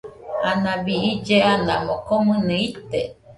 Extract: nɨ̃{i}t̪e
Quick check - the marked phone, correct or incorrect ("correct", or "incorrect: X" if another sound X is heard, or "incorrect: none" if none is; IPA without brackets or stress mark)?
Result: correct